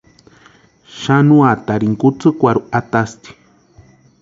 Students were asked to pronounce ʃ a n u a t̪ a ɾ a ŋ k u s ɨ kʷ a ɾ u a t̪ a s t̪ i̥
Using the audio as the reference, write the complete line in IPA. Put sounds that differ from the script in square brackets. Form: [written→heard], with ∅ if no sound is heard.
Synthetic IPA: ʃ a n u a t̪ a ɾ [a→i] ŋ k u [s→t͡s] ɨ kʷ a ɾ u a t̪ a s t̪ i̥